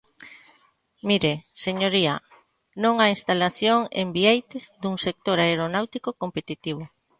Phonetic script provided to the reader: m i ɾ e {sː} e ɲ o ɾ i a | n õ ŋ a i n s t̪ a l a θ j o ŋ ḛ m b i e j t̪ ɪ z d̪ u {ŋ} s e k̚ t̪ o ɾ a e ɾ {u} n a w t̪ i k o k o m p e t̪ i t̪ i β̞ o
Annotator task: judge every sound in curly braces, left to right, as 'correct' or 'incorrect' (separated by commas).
incorrect, correct, incorrect